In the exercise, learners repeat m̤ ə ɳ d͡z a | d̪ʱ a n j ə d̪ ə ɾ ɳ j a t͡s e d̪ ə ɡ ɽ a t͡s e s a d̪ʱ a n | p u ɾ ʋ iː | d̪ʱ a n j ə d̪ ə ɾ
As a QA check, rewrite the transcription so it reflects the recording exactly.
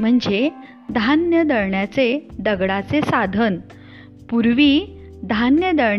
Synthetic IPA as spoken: m̤ ə ɳ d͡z e | d̪ʱ a n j ə d̪ ə ɾ ɳ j a t͡s e d̪ ə ɡ ɽ a t͡s e s a d̪ʱ ə n | p u ɾ ʋ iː | d̪ʱ a n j ə d̪ ə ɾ